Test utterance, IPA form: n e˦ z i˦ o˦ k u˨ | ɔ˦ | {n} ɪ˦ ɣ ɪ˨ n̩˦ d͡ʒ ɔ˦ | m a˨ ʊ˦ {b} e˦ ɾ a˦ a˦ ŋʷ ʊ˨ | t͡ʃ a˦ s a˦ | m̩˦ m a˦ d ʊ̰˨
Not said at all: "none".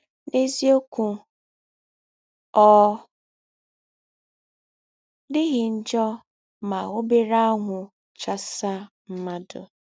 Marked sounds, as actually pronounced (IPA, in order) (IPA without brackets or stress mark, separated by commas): d, b